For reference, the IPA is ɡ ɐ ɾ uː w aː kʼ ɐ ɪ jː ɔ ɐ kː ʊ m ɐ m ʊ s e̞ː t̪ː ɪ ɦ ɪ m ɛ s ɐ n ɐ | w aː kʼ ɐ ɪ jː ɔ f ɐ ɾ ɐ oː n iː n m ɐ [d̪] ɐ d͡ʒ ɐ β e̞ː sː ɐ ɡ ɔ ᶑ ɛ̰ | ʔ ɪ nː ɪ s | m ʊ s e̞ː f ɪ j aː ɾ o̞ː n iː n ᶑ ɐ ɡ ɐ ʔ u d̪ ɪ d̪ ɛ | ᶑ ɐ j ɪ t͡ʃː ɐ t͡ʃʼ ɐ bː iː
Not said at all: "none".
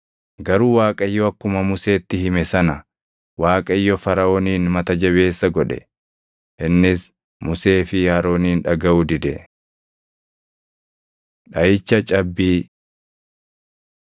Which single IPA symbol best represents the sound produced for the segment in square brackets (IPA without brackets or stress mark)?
t̪